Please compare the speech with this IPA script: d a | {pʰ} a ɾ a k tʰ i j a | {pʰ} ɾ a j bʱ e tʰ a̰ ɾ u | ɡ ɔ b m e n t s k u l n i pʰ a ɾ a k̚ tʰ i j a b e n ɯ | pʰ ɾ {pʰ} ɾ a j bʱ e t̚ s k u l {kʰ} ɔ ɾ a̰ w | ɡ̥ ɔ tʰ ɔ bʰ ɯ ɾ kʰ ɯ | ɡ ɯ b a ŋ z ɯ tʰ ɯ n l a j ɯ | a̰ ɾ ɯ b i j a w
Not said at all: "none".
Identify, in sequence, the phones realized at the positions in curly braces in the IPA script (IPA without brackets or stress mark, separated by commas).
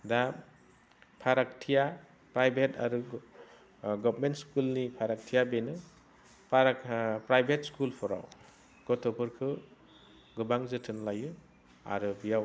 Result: pʰ, p, p, pʰ